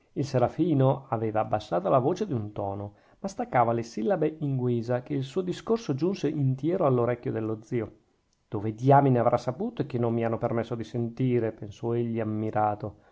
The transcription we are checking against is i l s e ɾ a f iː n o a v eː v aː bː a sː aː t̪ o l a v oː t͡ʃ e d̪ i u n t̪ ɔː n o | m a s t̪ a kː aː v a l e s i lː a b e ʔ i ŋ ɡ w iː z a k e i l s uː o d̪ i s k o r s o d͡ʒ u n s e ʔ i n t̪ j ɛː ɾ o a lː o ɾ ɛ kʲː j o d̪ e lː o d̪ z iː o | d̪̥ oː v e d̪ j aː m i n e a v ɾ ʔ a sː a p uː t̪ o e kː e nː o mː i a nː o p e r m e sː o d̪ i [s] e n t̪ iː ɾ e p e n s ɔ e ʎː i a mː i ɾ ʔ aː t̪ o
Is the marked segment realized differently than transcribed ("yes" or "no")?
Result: no